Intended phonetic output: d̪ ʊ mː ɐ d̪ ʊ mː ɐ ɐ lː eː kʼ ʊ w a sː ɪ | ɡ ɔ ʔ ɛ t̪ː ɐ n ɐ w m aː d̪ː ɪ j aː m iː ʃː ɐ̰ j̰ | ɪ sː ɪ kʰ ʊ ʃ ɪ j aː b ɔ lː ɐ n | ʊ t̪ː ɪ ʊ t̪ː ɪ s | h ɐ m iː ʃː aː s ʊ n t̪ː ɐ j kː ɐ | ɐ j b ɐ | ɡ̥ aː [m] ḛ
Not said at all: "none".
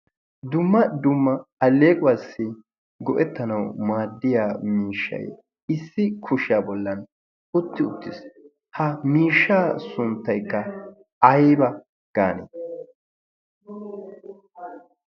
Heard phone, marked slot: n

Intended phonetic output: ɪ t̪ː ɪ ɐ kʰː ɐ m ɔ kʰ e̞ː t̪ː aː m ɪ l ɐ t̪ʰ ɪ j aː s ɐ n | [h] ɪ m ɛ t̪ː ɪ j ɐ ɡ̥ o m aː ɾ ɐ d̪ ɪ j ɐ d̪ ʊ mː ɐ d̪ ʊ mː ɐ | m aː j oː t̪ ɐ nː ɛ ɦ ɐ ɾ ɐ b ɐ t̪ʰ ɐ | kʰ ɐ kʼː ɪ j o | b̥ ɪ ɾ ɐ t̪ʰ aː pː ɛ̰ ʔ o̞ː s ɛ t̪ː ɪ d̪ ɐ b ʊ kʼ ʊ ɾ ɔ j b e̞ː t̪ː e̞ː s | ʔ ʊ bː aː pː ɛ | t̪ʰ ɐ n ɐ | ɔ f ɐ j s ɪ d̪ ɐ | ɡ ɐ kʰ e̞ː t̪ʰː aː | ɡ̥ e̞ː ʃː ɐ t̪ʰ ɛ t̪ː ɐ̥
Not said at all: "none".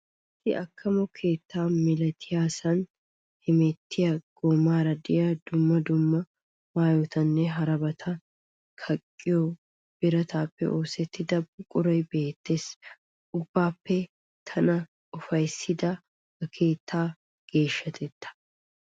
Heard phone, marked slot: h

